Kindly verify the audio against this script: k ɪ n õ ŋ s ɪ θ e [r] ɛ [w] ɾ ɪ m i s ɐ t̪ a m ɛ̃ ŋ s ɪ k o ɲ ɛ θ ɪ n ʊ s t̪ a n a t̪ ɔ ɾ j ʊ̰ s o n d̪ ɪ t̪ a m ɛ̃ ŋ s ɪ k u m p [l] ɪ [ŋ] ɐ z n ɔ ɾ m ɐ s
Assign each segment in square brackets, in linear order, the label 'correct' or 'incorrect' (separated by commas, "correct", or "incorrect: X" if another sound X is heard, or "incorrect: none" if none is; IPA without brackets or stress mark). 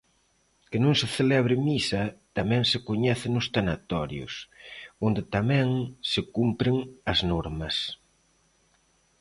incorrect: l, incorrect: β, incorrect: ɾ, correct